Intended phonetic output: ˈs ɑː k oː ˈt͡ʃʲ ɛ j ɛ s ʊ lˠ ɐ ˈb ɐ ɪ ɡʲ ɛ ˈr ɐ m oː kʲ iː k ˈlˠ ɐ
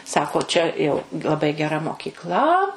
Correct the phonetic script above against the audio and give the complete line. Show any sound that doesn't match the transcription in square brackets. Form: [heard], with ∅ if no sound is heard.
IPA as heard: ˈs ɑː k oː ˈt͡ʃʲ ɛ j ɛ [∅] ʊ lˠ ɐ ˈb ɐ ɪ ɡʲ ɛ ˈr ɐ m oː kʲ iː k ˈlˠ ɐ

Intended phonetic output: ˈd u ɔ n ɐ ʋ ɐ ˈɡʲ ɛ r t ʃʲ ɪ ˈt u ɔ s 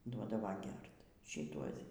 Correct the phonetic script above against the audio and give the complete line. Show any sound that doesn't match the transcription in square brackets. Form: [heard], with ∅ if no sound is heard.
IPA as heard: ˈd u ɔ [d] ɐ ʋ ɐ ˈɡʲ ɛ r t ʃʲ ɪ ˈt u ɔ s

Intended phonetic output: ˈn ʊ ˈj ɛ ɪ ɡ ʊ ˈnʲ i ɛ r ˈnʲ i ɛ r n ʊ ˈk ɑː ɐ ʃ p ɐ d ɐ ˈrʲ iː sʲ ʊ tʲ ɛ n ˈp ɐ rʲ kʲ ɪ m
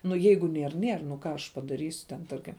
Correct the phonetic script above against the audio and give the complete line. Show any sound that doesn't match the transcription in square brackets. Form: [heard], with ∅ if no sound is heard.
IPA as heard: ˈn ʊ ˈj ɛ ɪ ɡ ʊ ˈnʲ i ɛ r ˈnʲ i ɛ r n ʊ ˈk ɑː ɐ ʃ p ɐ d ɐ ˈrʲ iː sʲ ʊ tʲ ɛ n [ˈt] ɐ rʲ kʲ ɪ m

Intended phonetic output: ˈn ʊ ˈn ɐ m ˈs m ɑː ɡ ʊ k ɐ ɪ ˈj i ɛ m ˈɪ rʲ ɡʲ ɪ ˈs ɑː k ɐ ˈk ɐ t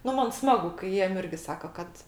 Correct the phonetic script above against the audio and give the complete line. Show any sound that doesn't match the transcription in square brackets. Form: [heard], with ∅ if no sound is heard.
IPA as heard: ˈn ʊ [ˈm] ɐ [n] ˈs m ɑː ɡ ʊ k ɐ ɪ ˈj i ɛ m ˈɪ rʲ ɡʲ ɪ ˈs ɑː k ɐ ˈk ɐ t

